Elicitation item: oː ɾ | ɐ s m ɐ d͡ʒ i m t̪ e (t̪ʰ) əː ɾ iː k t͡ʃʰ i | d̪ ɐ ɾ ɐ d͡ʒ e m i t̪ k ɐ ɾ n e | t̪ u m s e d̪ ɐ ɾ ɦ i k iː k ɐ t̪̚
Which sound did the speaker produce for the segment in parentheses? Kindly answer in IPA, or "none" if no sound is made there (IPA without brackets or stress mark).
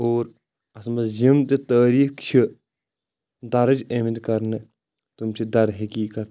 t̪